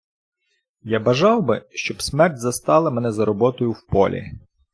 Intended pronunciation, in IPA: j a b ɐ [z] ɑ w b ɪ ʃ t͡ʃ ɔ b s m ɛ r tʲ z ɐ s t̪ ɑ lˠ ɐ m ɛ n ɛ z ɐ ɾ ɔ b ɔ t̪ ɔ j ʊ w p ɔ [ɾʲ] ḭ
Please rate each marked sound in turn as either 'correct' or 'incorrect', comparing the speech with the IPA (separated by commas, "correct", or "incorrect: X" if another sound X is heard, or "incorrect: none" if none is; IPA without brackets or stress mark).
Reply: incorrect: ʒ, incorrect: lʲ